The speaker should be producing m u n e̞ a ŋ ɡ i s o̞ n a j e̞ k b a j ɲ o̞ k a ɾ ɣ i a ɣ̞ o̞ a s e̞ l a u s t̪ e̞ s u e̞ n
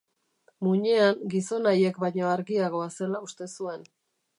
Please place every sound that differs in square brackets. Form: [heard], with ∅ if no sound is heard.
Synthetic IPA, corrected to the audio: m u [ɲ] e̞ a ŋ ɡ i s o̞ n a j e̞ k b a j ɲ o̞ [∅] a ɾ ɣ i a ɣ̞ o̞ a s e̞ l a u s t̪ e̞ s u e̞ n

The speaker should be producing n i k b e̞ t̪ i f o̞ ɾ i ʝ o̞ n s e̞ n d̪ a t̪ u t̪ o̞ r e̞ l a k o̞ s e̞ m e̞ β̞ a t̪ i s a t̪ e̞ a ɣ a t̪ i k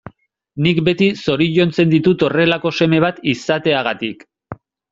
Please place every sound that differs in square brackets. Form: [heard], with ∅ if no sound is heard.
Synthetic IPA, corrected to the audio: n i k b e̞ t̪ i [s] o̞ ɾ i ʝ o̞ n [t͡s] e̞ n d̪ [i] t̪ u t̪ o̞ r e̞ l a k o̞ s e̞ m e̞ β̞ a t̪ i s a t̪ e̞ a ɣ a t̪ i k

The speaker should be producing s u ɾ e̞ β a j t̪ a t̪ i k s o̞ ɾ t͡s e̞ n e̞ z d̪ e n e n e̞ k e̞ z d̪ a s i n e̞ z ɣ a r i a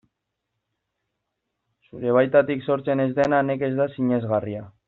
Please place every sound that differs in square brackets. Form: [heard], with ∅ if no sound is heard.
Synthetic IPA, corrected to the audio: s u ɾ e̞ β a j t̪ a t̪ i k s o̞ ɾ t͡s e̞ n e̞ z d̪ e n [a] n e̞ k e̞ z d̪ a s i [ɲ] e̞ z ɣ a r i a

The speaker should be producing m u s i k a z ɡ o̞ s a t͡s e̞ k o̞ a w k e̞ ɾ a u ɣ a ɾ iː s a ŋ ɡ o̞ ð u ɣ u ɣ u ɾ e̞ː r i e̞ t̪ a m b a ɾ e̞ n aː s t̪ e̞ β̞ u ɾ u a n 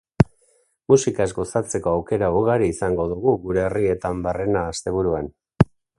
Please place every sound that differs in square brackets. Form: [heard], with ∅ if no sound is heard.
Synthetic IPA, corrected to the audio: m u s i k a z ɡ o̞ s a t͡s e̞ k o̞ a w k e̞ ɾ a u ɣ a ɾ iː s a ŋ ɡ o̞ ð u ɣ u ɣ u ɾ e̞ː r i e̞ t̪ a m b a [r] e̞ n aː s t̪ e̞ β̞ u ɾ u a n

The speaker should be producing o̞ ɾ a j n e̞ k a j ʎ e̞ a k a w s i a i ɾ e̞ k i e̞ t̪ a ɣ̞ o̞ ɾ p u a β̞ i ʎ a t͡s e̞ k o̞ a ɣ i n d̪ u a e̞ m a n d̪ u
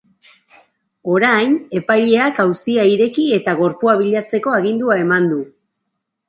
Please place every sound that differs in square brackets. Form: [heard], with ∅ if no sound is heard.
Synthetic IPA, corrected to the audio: o̞ ɾ a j n e̞ [p] a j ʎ e̞ a k a w s i a i ɾ e̞ k i e̞ t̪ a ɣ̞ o̞ ɾ p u a β̞ i ʎ a t͡s e̞ k o̞ a ɣ i n d̪ u a e̞ m a n d̪ u

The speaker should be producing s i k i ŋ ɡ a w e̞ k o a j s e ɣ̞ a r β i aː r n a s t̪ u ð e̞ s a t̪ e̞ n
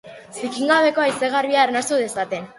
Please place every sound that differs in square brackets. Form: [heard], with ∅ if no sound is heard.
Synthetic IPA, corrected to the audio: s i k i ŋ ɡ a [β] e̞ k o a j s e ɣ̞ a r β i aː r n a s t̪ u ð e̞ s a t̪ e̞ n

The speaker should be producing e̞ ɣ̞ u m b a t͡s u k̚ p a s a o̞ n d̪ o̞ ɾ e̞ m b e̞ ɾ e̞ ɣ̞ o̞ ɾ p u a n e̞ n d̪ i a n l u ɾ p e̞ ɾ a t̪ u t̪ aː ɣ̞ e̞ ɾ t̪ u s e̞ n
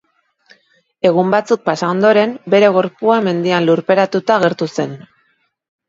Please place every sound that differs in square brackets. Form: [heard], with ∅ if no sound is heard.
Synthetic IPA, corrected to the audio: e̞ ɣ̞ u m b a t͡s u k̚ p a s a o̞ n d̪ o̞ ɾ e̞ m b e̞ ɾ e̞ ɣ̞ o̞ ɾ p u a [m] e̞ n d̪ i a n l u ɾ p e̞ ɾ a t̪ u t̪ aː ɣ̞ e̞ ɾ t̪ u s e̞ n

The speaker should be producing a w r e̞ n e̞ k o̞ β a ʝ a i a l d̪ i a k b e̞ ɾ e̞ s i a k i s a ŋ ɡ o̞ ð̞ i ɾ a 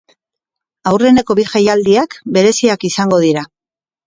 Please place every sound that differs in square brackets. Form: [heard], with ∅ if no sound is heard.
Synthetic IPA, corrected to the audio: a w r e̞ n e̞ k o̞ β [i] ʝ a [j] a l d̪ i a k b e̞ ɾ e̞ s i a k i s a ŋ ɡ o̞ ð̞ i ɾ a

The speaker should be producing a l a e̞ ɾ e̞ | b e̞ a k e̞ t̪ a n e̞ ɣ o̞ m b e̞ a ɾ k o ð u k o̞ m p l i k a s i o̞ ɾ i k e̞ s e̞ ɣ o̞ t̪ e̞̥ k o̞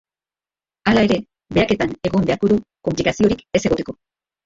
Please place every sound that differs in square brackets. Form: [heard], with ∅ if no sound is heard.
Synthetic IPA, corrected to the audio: a l a e̞ ɾ e̞ | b e̞ a k e̞ t̪ a n e̞ ɣ o̞ m b e̞ a ɾ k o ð u k o̞ m p l i k a s i o̞ ɾ i k e̞ s e̞ ɣ o̞ t̪ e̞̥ k o̞

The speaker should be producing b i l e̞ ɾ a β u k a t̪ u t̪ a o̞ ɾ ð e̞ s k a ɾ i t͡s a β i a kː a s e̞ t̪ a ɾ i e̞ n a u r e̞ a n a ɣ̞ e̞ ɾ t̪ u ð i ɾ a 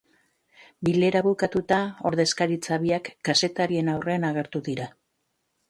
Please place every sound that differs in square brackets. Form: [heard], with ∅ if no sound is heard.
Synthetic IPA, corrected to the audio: b i l e̞ ɾ a β u k a t̪ u t̪ a o̞ ɾ ð e̞ s k a ɾ i t͡s a β i a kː a s e̞ t̪ a ɾ i e̞ n a [w] r e̞ a n a ɣ̞ e̞ ɾ t̪ u ð i ɾ a

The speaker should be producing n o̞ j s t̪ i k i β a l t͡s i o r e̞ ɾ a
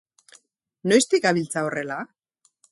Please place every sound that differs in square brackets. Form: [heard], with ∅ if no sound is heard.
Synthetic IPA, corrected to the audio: n o̞ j s t̪ i k [a] β [i] l t͡s [a] o r e̞ [l] a

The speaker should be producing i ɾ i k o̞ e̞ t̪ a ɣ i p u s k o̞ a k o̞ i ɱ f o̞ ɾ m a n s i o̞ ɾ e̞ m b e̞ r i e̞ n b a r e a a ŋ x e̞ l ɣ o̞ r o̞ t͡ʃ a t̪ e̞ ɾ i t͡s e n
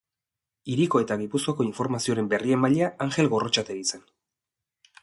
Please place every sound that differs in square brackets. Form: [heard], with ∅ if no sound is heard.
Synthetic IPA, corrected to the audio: i ɾ i k o̞ e̞ t̪ a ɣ i p u s k o̞ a k o̞ i ɱ f o̞ ɾ m a [∅] s i o̞ ɾ e̞ m b e̞ r i e̞ [m] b a [ʎ] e a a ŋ x e̞ l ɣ o̞ r o̞ t͡ʃ a t̪ e̞ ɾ i t͡s e n

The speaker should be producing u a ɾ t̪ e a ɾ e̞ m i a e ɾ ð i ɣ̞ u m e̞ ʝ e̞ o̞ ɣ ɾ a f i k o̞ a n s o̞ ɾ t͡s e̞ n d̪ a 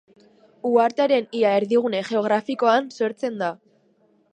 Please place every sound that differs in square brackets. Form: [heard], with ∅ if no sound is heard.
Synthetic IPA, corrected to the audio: u a ɾ t̪ e a ɾ e̞ [n] i a e ɾ ð i ɣ̞ u [n] e̞ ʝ e̞ o̞ ɣ ɾ a f i k o̞ a n s o̞ ɾ t͡s e̞ n d̪ a

